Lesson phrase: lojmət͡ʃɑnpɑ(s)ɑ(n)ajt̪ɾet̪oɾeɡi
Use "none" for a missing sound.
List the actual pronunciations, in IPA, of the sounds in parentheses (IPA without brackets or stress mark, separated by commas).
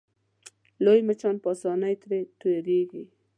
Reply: s, n